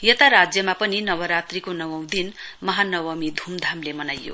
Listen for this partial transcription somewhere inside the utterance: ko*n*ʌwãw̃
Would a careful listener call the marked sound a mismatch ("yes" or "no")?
no